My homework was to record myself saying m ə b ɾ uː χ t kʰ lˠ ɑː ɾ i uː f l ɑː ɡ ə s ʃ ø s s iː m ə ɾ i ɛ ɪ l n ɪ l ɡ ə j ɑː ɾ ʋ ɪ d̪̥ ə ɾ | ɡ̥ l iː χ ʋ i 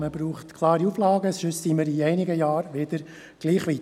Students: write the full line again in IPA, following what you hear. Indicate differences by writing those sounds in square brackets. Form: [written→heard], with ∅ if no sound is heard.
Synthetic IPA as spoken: m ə b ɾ uː χ t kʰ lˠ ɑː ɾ i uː f l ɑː ɡ ə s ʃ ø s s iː m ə ɾ i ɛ ɪ [l→∅] n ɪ [l→∅] ɡ ə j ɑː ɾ ʋ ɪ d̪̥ ə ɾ | ɡ̥ l iː χ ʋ i